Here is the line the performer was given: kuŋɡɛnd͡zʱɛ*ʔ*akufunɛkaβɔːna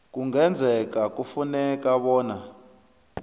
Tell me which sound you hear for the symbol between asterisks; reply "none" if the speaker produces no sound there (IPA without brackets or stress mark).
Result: k